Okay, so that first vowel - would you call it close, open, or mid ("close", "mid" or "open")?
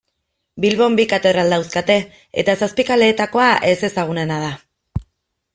close